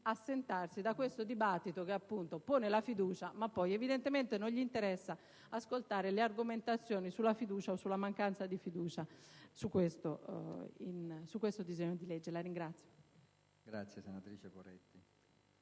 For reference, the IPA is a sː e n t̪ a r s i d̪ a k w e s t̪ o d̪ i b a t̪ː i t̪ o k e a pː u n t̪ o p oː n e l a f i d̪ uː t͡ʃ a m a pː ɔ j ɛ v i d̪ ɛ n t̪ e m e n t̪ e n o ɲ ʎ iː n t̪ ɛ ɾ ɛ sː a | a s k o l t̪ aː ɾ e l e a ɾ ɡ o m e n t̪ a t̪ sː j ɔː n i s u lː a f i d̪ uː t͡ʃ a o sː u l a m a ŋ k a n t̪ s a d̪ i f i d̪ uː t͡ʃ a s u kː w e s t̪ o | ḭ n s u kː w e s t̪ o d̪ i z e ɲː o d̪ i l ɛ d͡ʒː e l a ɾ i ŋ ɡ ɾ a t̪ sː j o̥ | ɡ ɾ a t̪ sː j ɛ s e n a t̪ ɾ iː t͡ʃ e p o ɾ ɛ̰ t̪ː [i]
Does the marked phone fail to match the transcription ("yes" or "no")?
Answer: no